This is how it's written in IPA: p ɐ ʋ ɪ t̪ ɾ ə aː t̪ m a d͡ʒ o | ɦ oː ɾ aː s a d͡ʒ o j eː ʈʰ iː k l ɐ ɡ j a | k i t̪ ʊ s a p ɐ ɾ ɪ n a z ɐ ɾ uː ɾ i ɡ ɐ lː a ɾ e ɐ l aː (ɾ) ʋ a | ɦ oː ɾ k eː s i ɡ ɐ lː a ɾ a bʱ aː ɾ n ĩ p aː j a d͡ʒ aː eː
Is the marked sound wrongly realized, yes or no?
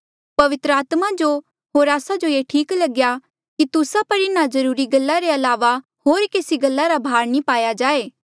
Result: yes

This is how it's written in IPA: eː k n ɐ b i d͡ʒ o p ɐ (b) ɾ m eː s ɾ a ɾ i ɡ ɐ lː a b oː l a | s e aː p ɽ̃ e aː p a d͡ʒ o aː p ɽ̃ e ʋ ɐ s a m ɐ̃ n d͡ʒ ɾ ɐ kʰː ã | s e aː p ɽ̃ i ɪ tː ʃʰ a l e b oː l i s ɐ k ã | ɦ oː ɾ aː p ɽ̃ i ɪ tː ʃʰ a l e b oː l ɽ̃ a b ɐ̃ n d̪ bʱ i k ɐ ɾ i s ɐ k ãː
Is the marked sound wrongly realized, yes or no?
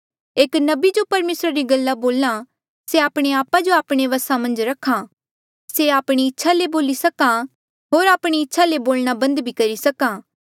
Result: yes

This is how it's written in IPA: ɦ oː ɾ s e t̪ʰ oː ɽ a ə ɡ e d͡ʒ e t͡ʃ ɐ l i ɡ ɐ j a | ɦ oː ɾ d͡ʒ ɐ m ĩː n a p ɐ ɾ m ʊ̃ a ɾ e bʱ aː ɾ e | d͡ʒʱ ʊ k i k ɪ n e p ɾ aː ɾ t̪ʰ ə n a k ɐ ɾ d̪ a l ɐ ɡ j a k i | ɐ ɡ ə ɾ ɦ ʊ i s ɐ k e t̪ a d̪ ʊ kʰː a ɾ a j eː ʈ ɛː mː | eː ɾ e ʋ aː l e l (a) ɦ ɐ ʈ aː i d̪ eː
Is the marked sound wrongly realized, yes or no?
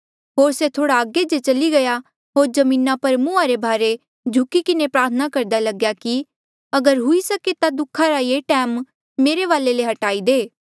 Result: yes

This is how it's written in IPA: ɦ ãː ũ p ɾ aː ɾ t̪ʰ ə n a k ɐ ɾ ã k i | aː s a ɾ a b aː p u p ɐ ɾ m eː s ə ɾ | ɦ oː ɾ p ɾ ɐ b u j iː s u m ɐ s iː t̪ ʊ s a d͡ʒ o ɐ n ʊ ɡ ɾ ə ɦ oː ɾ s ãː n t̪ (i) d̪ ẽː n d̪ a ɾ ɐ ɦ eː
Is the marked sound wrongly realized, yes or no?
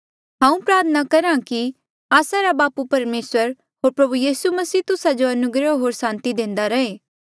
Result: no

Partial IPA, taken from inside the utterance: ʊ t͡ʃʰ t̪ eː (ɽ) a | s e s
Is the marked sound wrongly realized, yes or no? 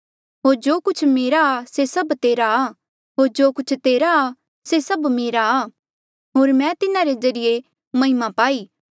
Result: yes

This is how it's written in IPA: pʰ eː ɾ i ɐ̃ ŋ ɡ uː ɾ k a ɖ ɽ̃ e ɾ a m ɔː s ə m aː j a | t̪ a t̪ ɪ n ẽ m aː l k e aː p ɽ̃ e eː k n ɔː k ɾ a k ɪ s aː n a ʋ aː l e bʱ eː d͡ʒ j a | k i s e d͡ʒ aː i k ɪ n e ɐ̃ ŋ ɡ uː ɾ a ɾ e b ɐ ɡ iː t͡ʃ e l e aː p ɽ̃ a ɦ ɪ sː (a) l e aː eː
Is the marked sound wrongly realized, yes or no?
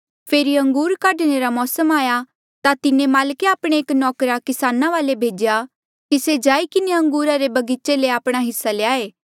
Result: no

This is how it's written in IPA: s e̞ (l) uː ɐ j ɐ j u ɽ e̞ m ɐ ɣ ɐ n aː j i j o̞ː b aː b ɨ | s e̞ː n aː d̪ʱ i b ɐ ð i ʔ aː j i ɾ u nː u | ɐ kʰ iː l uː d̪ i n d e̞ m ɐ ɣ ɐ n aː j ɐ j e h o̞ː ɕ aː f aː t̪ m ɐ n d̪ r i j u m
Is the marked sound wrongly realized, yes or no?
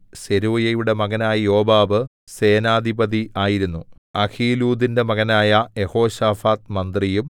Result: yes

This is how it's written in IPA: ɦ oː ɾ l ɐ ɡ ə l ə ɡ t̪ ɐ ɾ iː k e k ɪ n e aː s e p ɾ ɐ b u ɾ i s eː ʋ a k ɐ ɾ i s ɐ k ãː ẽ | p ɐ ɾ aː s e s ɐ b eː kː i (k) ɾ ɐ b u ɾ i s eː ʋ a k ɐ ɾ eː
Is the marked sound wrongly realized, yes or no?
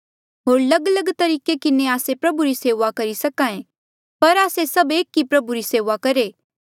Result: yes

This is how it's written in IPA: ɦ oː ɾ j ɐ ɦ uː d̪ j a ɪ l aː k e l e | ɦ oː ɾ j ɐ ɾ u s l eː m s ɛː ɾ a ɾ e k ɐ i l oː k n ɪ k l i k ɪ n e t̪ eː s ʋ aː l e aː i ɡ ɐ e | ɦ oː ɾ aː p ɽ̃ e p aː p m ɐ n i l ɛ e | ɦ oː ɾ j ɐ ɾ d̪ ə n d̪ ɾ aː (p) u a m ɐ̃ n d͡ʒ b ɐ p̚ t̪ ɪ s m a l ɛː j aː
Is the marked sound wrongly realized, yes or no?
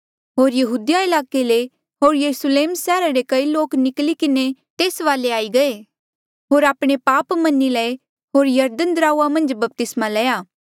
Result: yes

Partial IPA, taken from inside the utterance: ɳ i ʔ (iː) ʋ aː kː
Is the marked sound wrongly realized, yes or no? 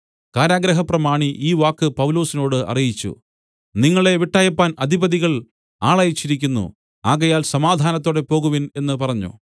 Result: no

